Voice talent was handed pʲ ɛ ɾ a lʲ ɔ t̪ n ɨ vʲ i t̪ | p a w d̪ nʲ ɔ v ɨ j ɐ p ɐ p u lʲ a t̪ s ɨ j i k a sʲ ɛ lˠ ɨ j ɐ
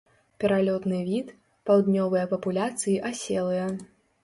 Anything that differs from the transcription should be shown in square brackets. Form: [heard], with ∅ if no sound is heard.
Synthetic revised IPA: pʲ ɛ ɾ a lʲ ɔ t̪ n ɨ vʲ i t̪ | p a w d̪ nʲ ɔ v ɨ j ɐ p ɐ p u lʲ a t̪ s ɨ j i [ʔ] a sʲ ɛ lˠ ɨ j ɐ